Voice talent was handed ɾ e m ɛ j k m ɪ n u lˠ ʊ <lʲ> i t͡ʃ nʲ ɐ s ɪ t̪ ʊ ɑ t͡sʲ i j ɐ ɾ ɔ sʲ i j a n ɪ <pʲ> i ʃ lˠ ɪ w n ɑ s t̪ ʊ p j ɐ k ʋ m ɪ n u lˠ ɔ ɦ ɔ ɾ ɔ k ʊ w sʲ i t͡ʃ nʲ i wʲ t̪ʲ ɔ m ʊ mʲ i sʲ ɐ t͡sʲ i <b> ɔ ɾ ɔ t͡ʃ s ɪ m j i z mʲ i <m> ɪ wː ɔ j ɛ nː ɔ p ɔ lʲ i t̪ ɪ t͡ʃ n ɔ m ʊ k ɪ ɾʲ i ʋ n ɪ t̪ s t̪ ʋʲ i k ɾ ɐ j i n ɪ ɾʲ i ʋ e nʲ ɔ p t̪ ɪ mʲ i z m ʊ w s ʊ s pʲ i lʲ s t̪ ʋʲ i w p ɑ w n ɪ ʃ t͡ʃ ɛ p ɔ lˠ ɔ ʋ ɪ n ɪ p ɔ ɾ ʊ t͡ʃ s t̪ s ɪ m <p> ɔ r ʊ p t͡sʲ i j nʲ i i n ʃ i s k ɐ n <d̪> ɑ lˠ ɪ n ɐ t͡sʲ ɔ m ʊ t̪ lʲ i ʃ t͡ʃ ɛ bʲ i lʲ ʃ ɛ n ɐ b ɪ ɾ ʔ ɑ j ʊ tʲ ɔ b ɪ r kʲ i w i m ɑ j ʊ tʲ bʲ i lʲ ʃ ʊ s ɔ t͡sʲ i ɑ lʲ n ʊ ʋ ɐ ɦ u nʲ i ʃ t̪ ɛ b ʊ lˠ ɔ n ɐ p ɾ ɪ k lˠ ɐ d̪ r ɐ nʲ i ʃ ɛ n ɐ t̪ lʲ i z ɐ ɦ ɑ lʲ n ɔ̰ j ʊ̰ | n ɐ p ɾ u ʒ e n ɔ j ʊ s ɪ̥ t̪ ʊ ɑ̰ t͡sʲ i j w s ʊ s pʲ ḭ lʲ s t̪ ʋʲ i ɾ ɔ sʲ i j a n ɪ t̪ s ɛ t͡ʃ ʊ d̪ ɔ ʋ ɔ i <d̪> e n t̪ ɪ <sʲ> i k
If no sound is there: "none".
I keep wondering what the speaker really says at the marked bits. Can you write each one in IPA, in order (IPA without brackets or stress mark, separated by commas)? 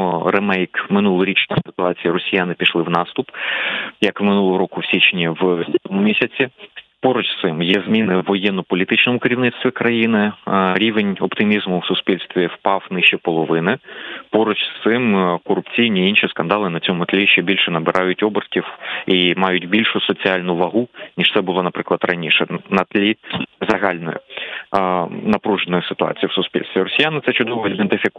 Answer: ɾʲ, pʲ, p, n, k, d̪, d̪, fʲ